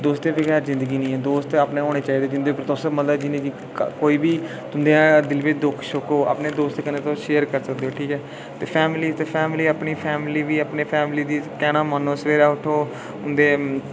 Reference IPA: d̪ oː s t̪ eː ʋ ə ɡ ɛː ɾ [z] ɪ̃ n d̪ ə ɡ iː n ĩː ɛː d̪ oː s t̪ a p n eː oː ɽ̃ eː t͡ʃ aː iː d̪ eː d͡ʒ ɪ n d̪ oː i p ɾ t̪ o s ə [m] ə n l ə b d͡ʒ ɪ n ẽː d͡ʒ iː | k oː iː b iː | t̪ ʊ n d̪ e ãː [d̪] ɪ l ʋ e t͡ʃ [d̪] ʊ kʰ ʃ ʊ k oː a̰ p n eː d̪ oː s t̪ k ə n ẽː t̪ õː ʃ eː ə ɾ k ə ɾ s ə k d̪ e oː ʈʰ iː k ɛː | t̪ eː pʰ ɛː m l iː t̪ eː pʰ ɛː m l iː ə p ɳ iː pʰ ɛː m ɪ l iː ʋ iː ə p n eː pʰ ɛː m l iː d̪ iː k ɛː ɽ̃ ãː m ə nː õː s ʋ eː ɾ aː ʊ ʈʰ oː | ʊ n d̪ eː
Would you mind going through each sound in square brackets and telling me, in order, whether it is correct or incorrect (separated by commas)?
correct, correct, correct, correct